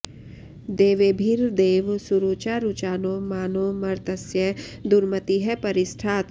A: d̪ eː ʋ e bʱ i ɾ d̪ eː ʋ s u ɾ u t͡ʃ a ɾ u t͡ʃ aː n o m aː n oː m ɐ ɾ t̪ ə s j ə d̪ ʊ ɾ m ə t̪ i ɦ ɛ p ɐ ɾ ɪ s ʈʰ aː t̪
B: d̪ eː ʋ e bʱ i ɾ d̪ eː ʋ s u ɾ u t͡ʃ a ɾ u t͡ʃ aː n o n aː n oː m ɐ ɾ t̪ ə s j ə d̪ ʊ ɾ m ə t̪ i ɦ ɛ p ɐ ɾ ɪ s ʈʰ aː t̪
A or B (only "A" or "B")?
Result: A